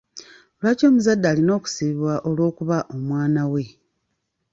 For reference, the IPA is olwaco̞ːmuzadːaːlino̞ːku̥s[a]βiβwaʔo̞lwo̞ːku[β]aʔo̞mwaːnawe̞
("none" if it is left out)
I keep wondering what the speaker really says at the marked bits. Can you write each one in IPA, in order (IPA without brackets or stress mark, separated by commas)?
i, β